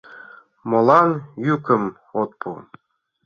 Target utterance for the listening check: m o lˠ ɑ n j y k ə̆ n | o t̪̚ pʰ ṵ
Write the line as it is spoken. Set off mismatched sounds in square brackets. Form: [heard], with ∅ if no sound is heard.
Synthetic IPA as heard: m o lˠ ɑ n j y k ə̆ [m] | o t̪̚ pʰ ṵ